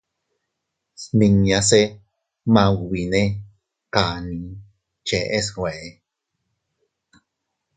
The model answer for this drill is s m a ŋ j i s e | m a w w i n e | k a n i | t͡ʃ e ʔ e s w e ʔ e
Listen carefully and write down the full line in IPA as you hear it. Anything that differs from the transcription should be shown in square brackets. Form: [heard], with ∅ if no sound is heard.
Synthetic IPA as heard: s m [i] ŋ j [a] s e | m a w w i n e | k a n i | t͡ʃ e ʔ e s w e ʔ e